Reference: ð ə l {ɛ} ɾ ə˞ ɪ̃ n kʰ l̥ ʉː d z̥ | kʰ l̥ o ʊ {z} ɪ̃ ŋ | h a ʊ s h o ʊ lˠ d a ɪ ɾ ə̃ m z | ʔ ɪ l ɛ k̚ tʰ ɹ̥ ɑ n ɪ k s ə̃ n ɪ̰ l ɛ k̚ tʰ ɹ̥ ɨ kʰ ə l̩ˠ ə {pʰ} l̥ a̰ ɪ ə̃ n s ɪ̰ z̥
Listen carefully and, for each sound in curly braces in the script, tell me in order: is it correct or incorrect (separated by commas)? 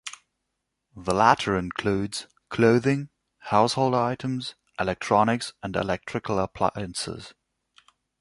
incorrect, incorrect, correct